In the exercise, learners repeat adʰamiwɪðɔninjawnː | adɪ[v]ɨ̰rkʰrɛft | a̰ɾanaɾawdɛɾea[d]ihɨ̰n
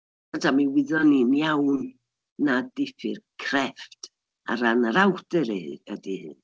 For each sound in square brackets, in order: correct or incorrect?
incorrect, correct

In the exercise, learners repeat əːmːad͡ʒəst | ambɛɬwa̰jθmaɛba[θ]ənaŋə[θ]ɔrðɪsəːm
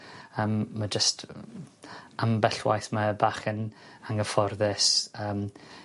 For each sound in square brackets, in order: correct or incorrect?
incorrect, incorrect

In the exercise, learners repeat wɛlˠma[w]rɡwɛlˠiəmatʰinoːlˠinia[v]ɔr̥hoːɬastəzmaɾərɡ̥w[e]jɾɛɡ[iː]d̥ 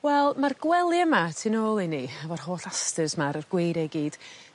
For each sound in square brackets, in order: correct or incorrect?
incorrect, correct, correct, correct

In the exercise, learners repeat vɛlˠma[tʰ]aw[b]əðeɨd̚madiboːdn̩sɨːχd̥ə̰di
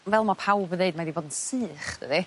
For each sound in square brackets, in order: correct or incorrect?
incorrect, correct

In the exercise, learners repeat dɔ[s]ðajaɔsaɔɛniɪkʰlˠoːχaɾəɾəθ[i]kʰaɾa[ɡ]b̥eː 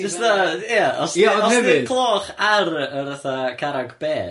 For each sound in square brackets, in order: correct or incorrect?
correct, incorrect, correct

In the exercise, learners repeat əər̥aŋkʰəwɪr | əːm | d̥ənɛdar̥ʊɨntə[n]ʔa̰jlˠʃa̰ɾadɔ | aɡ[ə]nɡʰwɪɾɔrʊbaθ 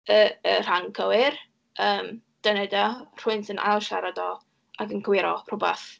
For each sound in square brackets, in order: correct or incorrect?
correct, correct

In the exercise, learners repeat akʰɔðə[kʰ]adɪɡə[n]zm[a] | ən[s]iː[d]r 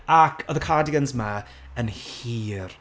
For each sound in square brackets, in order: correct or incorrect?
correct, correct, correct, incorrect, incorrect

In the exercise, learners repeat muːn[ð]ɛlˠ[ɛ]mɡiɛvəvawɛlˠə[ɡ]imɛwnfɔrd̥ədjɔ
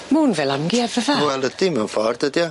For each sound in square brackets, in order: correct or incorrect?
incorrect, incorrect, incorrect

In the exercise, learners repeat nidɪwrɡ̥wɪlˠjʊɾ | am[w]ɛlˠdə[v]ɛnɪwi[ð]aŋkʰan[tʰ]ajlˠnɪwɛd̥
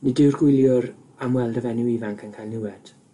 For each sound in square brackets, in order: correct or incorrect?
correct, correct, incorrect, incorrect

